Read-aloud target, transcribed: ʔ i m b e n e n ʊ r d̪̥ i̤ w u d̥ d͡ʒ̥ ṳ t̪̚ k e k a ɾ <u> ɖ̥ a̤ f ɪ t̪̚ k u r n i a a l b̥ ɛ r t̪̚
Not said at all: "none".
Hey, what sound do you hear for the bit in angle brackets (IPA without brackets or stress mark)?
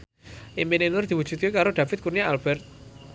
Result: o